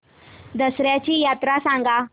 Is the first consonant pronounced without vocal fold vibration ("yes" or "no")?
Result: no